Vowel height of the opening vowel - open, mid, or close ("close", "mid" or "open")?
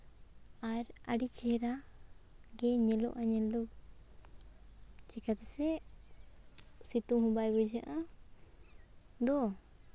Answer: open